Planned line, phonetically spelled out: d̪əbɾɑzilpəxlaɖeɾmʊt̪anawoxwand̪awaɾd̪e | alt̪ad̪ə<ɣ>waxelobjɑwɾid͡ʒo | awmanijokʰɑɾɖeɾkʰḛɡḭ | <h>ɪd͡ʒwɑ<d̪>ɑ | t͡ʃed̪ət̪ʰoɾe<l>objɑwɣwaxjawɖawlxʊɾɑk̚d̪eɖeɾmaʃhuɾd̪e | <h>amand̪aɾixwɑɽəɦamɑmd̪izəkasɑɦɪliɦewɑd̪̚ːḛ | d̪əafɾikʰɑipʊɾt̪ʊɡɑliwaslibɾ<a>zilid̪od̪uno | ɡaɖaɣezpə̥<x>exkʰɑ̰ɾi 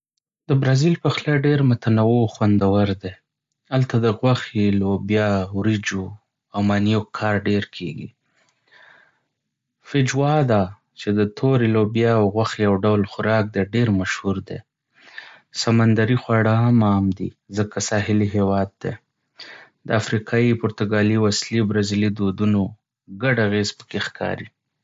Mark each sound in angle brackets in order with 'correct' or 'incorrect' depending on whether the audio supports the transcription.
correct, incorrect: f, correct, correct, incorrect: s, correct, incorrect: k

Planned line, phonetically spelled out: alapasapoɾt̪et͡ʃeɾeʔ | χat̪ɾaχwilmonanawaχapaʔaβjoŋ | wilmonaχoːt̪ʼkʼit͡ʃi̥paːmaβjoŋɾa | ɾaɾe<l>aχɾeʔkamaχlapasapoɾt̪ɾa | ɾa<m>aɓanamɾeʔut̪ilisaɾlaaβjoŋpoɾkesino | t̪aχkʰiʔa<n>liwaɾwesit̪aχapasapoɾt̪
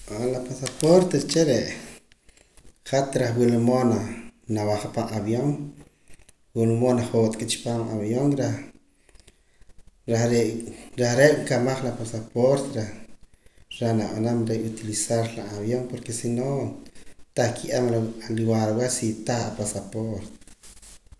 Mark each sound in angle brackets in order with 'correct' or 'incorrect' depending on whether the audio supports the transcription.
incorrect: ɾ, incorrect: n, incorrect: m

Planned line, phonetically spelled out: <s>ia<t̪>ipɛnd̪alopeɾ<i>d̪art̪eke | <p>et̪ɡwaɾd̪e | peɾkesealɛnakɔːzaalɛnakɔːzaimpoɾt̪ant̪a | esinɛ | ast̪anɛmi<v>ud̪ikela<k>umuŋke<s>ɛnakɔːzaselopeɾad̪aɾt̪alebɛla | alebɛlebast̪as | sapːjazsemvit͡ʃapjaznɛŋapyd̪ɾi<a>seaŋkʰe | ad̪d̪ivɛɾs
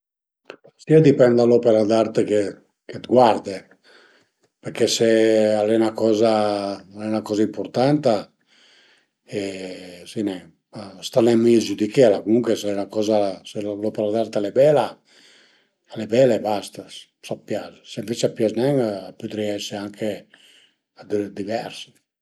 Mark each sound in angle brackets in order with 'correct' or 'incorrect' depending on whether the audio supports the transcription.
correct, incorrect: d̪, incorrect: a, incorrect: k, incorrect: z, correct, correct, incorrect: ɛ

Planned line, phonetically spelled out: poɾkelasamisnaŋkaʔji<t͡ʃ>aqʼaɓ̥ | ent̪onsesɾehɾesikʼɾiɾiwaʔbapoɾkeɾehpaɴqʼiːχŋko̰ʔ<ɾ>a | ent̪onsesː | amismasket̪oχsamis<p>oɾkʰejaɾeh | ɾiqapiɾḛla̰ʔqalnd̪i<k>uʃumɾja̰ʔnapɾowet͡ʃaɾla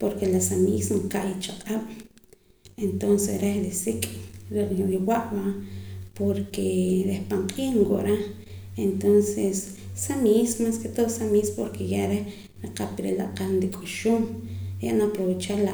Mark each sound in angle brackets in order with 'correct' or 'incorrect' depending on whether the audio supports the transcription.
correct, correct, correct, incorrect: kʼ

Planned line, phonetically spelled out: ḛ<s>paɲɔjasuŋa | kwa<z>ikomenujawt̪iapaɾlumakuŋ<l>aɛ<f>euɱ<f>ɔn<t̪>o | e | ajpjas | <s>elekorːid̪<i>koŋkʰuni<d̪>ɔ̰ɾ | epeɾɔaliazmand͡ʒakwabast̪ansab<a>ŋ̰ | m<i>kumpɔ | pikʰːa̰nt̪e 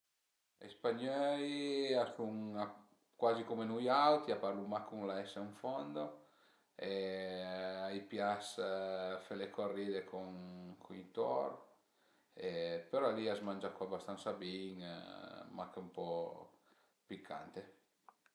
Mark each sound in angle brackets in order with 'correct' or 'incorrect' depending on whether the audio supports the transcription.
correct, correct, correct, incorrect: s, correct, incorrect: d̪, incorrect: f, incorrect: e, incorrect: t̪, incorrect: i, incorrect: a

